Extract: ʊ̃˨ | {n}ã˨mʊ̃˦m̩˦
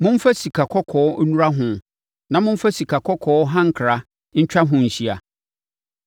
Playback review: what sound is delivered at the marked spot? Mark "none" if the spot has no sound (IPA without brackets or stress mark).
n